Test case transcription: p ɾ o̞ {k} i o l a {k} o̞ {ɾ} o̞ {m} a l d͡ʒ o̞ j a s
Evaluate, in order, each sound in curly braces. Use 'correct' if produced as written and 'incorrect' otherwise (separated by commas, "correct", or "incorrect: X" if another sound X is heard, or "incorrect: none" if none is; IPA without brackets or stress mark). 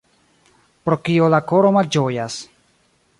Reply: correct, correct, correct, correct